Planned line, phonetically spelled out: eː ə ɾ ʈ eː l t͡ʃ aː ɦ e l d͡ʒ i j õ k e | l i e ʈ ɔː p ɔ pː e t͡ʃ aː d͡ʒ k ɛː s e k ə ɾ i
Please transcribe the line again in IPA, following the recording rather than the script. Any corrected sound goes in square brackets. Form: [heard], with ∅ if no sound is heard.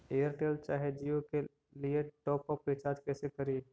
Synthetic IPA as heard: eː ə ɾ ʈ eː l t͡ʃ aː ɦ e [∅] d͡ʒ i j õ k e | l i e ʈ ɔː p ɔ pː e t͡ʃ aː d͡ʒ k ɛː s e k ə ɾ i